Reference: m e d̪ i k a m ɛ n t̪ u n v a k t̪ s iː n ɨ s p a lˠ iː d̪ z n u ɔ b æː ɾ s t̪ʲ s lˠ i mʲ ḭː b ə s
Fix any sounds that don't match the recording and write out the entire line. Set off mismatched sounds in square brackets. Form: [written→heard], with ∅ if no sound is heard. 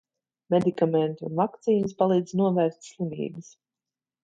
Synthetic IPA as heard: m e d̪ i k a m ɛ n t̪ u n v a k t̪ s iː n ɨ s p a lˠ iː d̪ z n u ɔ [b→v] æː ɾ s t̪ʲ s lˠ i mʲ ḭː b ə s